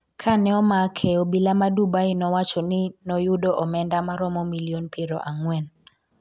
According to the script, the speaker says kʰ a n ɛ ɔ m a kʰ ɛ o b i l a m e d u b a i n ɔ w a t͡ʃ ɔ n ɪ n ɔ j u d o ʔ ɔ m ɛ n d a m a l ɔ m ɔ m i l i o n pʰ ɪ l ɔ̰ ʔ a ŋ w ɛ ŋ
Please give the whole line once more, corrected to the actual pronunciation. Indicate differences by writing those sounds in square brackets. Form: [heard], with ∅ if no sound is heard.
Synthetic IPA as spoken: kʰ a n ɛ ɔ m a kʰ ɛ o b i l a m [a] d u b a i n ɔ w a t͡ʃ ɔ n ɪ n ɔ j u d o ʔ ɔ m ɛ n d a m a [ɾ] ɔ m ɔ m i l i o n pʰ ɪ [ɾ] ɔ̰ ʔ a ŋ w ɛ [n]